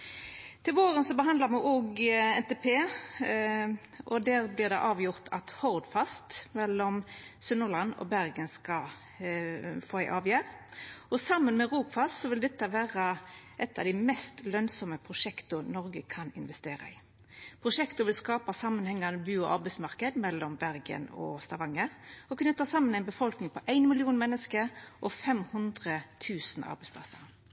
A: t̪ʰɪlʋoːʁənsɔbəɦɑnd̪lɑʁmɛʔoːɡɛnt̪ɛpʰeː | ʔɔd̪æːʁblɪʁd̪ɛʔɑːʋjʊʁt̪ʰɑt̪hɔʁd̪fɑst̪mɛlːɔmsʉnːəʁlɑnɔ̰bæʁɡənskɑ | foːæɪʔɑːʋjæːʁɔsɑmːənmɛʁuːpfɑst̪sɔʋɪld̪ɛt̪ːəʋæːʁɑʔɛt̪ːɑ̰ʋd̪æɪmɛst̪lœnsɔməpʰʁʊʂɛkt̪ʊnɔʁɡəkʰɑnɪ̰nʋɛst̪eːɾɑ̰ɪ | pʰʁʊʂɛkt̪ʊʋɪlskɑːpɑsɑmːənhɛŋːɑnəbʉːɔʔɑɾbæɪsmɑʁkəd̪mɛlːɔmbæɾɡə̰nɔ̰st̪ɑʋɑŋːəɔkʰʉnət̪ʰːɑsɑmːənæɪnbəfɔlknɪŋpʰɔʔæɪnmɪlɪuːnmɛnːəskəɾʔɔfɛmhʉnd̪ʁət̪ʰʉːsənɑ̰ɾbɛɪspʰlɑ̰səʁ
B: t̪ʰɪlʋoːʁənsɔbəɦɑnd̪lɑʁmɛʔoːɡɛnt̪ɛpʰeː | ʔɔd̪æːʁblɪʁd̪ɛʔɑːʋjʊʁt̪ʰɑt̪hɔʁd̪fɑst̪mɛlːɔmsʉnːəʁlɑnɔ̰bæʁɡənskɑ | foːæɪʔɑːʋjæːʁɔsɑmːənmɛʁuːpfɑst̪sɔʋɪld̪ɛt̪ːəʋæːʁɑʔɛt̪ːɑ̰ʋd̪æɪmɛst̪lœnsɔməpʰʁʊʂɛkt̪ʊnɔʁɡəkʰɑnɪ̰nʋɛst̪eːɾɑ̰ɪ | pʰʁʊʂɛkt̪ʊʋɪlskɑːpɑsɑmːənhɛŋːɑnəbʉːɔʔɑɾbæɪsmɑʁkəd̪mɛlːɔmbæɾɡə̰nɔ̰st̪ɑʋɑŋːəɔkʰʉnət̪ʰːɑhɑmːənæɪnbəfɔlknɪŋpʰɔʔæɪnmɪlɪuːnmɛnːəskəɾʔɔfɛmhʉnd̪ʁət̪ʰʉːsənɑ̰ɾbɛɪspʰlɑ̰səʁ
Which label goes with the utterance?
A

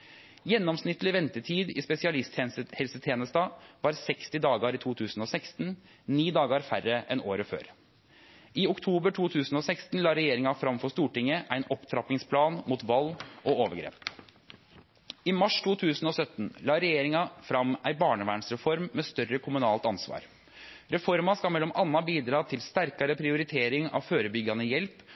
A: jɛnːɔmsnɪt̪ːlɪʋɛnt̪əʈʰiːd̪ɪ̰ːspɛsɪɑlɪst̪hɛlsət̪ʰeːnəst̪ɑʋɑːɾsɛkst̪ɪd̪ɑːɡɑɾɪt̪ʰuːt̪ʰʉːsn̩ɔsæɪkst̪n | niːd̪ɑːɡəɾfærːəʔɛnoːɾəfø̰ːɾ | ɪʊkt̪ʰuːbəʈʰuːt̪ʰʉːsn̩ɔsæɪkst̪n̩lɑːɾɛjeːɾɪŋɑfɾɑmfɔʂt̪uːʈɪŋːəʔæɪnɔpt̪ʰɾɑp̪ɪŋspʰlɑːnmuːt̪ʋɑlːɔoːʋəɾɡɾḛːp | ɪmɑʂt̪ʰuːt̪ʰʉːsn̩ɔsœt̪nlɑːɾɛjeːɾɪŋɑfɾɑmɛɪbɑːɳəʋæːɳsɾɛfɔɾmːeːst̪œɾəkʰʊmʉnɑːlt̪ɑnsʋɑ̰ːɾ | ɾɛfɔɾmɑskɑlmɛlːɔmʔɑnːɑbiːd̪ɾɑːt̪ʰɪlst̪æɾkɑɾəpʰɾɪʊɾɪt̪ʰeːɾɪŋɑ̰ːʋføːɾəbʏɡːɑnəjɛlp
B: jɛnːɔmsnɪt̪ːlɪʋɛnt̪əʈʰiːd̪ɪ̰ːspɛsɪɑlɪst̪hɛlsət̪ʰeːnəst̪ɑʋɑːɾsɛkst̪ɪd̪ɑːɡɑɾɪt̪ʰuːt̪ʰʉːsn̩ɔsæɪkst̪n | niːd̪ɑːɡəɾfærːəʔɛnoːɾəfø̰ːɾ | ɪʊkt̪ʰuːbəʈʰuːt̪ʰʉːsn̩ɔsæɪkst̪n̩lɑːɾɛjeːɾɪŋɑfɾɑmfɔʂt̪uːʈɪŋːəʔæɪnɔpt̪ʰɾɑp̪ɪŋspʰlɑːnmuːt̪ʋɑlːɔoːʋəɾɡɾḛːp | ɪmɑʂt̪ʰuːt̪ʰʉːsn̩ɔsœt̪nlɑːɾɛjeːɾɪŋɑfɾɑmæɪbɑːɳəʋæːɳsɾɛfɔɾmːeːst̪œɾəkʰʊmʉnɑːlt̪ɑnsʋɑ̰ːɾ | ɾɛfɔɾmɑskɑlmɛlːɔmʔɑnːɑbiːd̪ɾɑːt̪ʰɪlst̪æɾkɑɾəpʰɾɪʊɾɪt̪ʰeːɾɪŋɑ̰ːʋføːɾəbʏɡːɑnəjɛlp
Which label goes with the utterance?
B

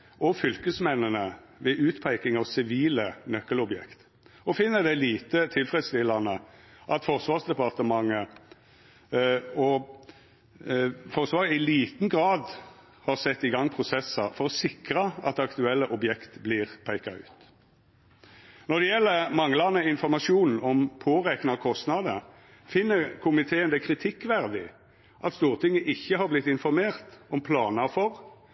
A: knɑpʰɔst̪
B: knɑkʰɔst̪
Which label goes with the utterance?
B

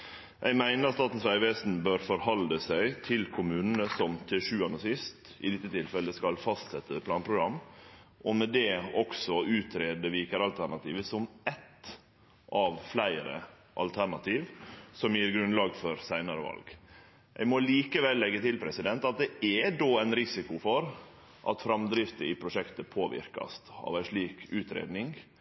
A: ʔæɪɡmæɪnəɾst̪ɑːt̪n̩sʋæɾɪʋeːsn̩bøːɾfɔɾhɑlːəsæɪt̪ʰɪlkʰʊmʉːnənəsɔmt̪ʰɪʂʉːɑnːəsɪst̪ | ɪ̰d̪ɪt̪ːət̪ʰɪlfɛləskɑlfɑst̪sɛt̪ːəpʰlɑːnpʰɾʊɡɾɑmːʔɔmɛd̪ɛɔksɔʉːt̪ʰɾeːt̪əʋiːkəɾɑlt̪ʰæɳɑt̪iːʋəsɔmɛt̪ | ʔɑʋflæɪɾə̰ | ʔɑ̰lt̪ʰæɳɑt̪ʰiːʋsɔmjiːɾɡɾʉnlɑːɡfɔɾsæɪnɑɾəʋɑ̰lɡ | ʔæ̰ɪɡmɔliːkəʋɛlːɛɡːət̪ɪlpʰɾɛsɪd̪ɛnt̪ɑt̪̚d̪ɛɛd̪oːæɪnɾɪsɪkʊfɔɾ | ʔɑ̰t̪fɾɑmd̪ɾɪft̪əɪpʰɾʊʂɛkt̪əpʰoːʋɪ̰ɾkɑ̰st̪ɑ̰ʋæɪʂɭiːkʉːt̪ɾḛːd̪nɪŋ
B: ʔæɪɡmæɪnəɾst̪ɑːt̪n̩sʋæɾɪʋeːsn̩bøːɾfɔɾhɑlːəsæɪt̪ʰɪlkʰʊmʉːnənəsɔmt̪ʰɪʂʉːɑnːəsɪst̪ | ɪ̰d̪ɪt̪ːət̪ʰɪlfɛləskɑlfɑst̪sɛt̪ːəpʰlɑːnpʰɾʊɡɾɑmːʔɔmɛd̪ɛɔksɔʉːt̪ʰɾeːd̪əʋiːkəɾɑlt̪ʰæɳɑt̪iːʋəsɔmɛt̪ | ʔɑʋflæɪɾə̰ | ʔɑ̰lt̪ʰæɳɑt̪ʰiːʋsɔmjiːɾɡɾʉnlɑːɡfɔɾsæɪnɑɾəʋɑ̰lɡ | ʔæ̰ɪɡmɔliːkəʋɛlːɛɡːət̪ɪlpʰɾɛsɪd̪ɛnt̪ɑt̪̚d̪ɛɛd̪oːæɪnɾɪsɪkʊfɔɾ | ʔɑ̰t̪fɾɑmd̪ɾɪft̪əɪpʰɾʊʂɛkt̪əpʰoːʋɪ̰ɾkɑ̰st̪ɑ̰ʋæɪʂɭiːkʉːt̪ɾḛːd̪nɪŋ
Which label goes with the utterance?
B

